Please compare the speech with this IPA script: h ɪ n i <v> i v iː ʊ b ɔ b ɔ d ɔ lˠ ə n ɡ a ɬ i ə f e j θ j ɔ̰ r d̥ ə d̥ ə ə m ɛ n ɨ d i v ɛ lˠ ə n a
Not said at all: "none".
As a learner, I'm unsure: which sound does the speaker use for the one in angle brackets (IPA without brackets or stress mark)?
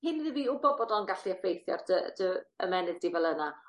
ð